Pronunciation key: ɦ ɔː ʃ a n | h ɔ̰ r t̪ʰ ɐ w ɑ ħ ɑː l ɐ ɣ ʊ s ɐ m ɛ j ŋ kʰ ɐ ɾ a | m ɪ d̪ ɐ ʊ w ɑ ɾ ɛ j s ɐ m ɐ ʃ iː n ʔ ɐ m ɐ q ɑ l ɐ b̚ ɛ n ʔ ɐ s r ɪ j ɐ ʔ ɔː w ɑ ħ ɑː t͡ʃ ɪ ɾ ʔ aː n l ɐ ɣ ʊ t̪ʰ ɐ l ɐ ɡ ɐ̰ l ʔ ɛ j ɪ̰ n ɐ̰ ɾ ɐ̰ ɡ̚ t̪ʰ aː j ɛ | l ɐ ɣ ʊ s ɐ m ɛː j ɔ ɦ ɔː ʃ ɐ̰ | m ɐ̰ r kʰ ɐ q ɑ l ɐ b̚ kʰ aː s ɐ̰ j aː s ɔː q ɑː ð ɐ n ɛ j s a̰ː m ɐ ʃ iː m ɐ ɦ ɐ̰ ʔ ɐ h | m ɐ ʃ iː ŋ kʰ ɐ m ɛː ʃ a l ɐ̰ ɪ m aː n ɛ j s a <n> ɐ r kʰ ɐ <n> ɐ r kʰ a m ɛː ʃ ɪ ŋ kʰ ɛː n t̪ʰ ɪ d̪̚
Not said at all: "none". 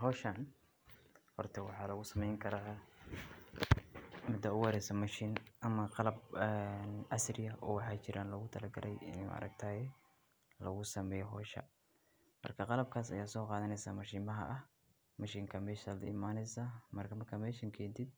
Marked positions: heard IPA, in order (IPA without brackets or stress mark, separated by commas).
m, m